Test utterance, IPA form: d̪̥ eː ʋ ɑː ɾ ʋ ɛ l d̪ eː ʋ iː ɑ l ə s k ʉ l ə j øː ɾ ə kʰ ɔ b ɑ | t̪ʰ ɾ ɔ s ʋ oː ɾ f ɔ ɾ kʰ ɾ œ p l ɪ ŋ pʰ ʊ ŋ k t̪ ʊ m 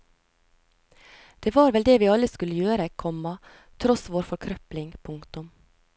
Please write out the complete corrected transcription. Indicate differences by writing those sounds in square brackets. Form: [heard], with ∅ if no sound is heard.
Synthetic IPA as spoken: d̪̥ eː ʋ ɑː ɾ ʋ ɛ l d̪ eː ʋ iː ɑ l ə s k ʉ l ə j øː ɾ ə kʰ ɔ [m] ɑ | t̪ʰ ɾ ɔ s ʋ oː ɾ f ɔ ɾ kʰ ɾ œ p l ɪ ŋ pʰ ʊ ŋ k t̪ ʊ m